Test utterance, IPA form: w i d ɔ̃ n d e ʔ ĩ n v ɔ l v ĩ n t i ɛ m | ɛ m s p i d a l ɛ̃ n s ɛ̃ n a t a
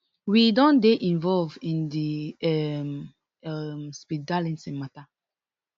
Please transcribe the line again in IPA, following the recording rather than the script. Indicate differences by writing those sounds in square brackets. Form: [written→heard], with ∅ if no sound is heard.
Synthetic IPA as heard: w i d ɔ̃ n d e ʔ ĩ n v ɔ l v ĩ n [t→d] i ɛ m | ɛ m s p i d a l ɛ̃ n s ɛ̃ [n→m] a t a